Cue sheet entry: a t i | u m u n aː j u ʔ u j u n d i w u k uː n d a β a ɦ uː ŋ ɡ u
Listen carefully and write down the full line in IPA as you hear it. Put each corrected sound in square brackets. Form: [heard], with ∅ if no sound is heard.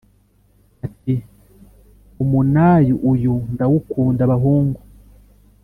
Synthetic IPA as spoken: a t i | u m u n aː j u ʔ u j u n d [a] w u k uː n d a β a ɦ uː ŋ ɡ u